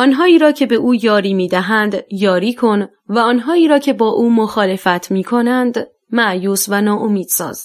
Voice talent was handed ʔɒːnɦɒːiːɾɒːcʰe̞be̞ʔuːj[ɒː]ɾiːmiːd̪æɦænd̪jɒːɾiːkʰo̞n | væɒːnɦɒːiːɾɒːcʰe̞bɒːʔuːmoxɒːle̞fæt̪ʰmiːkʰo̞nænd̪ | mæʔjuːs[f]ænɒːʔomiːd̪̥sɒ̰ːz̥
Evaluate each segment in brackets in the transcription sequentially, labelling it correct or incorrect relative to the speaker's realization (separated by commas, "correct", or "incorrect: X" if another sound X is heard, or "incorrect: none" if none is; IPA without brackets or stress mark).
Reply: correct, incorrect: v